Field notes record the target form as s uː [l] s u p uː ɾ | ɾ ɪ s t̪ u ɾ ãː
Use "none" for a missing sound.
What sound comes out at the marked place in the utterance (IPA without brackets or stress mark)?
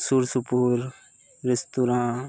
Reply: ɾ